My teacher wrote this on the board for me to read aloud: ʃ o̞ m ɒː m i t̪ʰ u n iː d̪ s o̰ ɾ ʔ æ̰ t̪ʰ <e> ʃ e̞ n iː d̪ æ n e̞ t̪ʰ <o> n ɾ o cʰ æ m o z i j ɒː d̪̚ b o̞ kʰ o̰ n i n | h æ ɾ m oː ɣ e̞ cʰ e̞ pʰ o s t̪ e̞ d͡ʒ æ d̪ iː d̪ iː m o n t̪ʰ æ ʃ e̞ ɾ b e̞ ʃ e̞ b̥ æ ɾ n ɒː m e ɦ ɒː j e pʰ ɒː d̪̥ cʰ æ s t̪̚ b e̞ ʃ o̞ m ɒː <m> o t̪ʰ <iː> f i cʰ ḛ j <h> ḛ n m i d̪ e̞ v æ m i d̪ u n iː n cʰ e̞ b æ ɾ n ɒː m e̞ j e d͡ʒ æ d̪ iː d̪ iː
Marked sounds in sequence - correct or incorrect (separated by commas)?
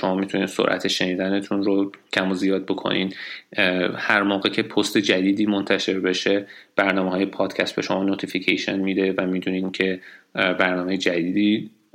correct, incorrect, incorrect, incorrect, incorrect